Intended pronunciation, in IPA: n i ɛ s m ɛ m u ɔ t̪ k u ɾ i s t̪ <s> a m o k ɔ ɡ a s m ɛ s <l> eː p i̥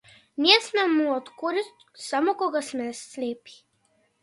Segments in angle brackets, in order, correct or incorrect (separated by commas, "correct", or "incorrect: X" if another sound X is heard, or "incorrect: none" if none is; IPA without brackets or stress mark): correct, correct